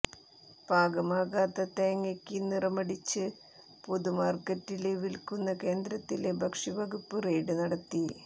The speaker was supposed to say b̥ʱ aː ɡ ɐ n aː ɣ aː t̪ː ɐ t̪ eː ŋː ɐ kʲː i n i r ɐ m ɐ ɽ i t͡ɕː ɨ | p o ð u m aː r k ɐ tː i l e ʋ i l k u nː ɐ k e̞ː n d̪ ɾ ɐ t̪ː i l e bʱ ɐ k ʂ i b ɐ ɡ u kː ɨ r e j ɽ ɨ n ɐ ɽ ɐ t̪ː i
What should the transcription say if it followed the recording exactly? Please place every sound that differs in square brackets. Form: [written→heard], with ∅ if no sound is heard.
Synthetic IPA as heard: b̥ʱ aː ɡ ɐ [n→m] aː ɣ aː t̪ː ɐ t̪ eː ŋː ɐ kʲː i n i r ɐ m ɐ ɽ i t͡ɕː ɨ | p o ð u m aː r k ɐ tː i l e ʋ i l k u nː ɐ k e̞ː n d̪ ɾ ɐ t̪ː i l e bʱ ɐ k ʂ i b ɐ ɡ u [kː→pː] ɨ r e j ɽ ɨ n ɐ ɽ ɐ t̪ː i